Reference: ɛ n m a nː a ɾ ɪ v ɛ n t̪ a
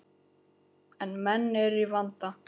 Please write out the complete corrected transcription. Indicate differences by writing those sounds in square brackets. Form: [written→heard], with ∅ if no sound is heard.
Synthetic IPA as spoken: ɛ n m [a→ɛ] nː [a→ɛ] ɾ [ɪ→i] v [ɛ→a] n t̪ a